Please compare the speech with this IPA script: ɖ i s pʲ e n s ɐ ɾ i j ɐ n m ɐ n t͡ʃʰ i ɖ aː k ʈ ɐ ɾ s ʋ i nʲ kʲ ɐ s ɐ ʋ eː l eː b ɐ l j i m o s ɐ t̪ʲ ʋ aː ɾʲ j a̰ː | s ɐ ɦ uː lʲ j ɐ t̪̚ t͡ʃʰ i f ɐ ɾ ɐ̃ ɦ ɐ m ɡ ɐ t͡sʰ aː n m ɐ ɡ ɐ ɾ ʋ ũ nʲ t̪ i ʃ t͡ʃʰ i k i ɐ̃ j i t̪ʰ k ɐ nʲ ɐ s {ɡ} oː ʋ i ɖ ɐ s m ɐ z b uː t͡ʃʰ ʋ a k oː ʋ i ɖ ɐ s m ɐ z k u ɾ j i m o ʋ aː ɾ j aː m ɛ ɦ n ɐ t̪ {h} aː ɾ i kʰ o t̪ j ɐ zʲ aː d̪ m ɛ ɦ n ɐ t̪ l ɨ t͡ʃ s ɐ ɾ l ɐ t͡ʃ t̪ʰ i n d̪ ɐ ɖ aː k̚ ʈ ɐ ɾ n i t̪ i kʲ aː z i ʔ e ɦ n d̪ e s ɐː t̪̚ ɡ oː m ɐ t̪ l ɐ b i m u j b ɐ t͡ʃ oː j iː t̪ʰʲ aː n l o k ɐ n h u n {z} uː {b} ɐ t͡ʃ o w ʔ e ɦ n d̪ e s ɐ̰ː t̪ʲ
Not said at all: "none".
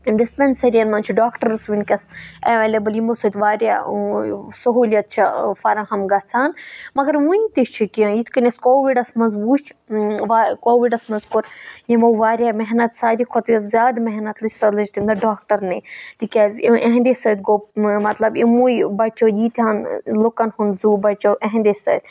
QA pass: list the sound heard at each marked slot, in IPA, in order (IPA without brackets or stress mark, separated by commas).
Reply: k, s, z, b